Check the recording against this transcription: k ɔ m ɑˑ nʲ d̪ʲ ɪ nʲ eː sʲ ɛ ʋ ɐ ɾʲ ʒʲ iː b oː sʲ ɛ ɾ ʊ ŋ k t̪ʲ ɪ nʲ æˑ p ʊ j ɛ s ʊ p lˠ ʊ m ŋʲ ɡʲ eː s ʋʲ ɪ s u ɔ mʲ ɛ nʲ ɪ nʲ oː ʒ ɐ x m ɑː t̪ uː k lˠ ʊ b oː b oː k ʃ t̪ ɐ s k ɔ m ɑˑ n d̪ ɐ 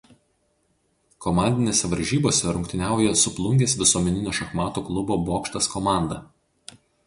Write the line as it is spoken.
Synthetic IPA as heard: k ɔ m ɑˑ nʲ d̪ʲ ɪ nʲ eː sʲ ɛ ʋ ɐ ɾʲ ʒʲ iː b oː sʲ ɛ ɾ ʊ ŋ k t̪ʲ ɪ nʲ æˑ ʊ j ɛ s ʊ p lˠ ʊ ŋʲ ɡʲ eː s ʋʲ ɪ s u ɔ mʲ ɛ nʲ ɪ nʲ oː ʃ ɐ x m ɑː t̪ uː k lˠ ʊ b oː b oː k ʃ t̪ ɐ s k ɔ m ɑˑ n d̪ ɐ